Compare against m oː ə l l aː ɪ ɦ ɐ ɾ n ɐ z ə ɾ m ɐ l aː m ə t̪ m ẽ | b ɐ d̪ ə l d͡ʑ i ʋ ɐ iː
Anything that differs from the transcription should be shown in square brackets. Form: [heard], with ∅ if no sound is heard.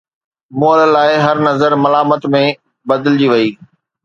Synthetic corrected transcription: m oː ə l l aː ɪ ɦ ɐ ɾ n ɐ z ə ɾ m ɐ l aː m ə t̪ m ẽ | b ɐ d̪ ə l d͡ʑ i ʋ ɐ iː